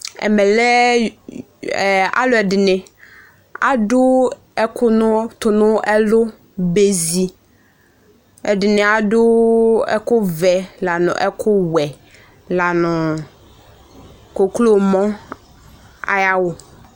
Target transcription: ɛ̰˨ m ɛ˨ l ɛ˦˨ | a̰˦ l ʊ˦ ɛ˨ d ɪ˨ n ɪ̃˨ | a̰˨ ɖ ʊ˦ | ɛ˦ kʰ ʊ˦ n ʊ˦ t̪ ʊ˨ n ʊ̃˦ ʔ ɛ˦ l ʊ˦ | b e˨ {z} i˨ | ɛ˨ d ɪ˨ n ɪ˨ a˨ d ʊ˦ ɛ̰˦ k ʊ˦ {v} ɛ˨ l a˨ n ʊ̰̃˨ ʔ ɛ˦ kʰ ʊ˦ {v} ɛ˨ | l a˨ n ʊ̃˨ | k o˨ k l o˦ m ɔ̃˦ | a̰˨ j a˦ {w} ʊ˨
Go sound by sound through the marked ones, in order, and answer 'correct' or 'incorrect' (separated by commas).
correct, correct, incorrect, correct